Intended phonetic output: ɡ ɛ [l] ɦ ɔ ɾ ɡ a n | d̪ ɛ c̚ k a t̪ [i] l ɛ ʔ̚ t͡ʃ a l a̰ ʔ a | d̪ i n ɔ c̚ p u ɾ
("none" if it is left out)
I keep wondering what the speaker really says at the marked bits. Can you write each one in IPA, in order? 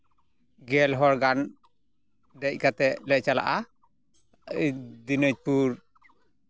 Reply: l, ɛ

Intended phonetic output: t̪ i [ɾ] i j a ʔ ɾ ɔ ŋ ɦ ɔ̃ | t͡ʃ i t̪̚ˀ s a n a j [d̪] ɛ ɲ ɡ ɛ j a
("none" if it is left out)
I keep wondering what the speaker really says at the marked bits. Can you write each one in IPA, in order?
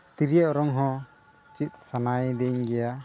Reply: ɾ, d̪

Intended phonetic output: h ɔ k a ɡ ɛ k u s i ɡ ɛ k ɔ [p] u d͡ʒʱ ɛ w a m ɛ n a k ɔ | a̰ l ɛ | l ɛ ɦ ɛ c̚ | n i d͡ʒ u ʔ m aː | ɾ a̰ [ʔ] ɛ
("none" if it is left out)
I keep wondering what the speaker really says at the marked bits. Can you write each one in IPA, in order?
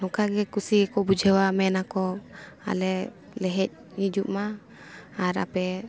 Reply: b, p

